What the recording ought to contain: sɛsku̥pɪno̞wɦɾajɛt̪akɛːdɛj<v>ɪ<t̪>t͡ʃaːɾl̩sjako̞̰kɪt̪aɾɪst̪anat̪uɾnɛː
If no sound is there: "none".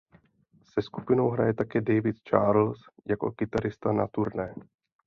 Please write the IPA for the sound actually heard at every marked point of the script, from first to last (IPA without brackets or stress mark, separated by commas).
v, t̪